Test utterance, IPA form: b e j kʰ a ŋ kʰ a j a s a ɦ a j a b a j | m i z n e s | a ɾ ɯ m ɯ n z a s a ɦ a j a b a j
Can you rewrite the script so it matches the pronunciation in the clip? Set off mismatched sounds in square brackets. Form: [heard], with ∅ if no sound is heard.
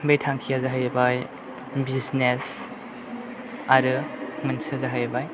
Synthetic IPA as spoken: b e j [tʰ] a ŋ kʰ [i] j a [z] a ɦ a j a b a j | [b] i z n e s | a ɾ ɯ m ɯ n [s] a [z] a ɦ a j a b a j